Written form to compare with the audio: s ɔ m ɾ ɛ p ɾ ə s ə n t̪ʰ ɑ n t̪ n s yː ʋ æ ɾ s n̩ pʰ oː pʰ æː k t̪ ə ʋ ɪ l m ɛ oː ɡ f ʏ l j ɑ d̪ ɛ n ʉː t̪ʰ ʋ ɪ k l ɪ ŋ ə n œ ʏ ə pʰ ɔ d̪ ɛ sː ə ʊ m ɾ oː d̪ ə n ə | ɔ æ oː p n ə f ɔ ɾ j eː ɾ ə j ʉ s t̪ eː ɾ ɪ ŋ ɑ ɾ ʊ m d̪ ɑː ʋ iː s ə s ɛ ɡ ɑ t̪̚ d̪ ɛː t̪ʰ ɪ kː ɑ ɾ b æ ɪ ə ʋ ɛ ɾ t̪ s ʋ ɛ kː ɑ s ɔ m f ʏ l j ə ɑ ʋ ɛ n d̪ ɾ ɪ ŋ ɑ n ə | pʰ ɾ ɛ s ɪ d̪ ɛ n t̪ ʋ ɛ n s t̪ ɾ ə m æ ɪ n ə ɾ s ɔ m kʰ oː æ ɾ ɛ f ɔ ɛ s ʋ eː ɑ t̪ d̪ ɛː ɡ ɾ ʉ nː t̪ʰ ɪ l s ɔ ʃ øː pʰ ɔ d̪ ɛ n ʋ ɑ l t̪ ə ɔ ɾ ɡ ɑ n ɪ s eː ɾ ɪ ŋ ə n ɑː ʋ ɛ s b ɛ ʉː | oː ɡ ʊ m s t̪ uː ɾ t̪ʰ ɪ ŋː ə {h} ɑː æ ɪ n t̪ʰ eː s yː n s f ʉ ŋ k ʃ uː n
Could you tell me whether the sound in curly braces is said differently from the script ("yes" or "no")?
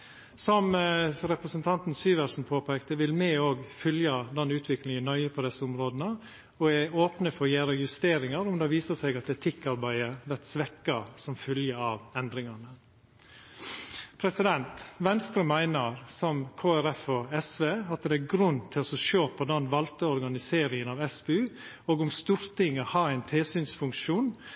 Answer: no